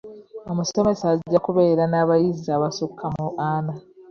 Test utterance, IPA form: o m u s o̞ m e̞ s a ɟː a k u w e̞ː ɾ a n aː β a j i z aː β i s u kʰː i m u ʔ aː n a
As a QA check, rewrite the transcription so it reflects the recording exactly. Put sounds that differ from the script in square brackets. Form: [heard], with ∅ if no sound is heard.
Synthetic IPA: o m u s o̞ m e̞ s a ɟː a k u [β] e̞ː ɾ a n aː β a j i z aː β [a] s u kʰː [a] m u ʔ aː n a